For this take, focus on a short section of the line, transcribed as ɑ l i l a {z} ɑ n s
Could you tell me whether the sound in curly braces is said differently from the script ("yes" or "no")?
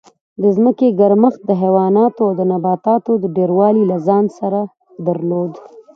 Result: no